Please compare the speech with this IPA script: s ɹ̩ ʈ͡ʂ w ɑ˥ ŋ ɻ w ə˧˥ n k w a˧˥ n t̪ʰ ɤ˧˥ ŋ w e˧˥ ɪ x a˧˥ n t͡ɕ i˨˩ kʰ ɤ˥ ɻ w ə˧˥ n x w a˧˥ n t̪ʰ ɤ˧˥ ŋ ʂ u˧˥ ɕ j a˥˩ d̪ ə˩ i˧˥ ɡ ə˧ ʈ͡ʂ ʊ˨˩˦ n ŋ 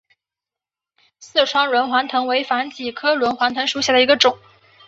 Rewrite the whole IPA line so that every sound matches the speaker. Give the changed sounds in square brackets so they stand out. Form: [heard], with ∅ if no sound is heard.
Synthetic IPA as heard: s ɹ̩ [ʈ͡ʂʰ] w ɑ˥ ŋ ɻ w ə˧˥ n [x] w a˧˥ n t̪ʰ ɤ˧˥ ŋ w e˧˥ ɪ [f] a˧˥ n t͡ɕ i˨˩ kʰ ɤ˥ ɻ w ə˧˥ n x w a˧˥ n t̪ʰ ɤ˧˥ ŋ ʂ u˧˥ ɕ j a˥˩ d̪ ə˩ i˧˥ ɡ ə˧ ʈ͡ʂ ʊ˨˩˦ [∅] ŋ